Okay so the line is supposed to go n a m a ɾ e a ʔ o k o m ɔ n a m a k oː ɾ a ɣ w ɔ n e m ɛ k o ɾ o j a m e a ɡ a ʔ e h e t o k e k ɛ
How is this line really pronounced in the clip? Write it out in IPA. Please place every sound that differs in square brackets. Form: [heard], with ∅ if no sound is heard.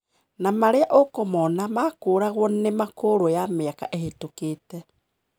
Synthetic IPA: n a m a ɾ e a ʔ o k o m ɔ n a m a k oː ɾ a ɣ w ɔ n e m [a] k o ɾ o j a m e a [k] a ʔ e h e t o k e [t] ɛ